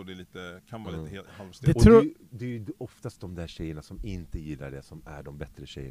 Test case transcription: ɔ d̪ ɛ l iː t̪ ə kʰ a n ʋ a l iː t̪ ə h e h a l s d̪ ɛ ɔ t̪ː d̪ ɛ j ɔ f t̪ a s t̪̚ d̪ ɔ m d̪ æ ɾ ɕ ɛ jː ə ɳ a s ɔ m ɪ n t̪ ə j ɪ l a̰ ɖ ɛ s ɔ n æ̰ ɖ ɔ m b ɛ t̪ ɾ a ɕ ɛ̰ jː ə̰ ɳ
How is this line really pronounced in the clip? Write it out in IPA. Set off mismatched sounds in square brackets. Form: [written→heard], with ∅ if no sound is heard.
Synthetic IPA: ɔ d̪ ɛ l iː t̪ ə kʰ a n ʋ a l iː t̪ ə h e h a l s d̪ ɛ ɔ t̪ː d̪ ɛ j ɔ f t̪ a s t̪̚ d̪ ɔ m d̪ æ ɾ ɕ ɛ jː ə ɳ a s ɔ m ɪ n t̪ ə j ɪ [l→lː] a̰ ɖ ɛ s ɔ [n→m] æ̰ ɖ ɔ m b ɛ t̪ ɾ [a→ə] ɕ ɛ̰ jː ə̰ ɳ